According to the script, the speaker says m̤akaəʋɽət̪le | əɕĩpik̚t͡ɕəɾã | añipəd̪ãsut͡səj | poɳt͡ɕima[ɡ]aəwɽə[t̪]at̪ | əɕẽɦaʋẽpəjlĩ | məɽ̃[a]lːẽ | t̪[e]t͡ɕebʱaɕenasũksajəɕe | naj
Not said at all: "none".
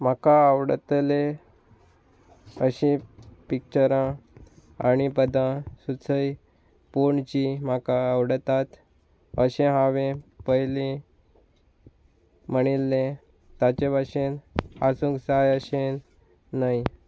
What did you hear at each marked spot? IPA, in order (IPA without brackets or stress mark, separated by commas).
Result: k, t̪, i, a